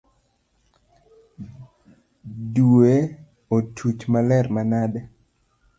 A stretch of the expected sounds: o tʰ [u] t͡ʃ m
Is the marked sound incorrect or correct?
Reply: correct